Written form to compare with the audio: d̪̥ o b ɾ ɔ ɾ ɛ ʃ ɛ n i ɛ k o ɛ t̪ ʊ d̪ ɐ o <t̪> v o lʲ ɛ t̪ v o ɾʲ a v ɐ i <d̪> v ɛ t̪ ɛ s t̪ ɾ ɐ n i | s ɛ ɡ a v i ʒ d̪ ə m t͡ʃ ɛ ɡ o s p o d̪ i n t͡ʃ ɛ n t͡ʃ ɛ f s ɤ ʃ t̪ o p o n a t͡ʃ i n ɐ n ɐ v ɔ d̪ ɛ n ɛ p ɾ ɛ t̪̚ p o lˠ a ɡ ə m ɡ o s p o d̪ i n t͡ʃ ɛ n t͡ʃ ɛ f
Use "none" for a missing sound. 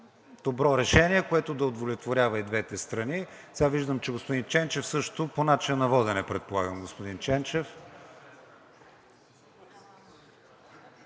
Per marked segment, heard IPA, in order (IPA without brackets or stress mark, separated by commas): d̪, d̪